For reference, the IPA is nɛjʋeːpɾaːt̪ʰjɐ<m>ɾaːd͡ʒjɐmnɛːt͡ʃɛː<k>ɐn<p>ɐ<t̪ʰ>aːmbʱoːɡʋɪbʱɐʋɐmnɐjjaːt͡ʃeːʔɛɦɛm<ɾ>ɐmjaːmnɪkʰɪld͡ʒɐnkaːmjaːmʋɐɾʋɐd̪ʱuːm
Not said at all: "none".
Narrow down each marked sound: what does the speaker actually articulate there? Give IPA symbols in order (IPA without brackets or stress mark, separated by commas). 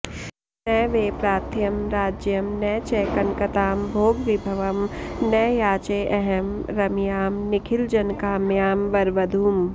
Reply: m, k, k, t̪, ɾ